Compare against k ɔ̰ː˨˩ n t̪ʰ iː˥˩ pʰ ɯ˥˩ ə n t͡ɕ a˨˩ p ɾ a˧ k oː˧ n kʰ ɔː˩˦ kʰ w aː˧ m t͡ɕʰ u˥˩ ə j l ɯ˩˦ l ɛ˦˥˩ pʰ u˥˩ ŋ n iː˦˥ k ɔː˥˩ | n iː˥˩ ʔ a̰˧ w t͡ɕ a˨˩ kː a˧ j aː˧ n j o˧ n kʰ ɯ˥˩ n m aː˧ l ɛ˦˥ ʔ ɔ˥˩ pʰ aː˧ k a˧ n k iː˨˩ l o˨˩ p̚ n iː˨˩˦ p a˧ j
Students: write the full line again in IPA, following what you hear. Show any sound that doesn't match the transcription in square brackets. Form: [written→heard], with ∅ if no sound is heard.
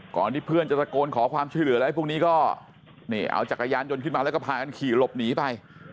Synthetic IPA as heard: k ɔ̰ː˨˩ n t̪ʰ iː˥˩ pʰ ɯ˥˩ ə n t͡ɕ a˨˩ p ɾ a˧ k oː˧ n kʰ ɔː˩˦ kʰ w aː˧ m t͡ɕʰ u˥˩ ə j l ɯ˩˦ l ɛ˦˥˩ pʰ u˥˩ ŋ n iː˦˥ k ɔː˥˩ | n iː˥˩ ʔ a̰˧ w t͡ɕ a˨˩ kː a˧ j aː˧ n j o˧ n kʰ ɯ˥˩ n m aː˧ l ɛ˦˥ [ʔ→k] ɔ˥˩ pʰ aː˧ k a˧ n [k→kʰ] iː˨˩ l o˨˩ p̚ n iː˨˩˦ p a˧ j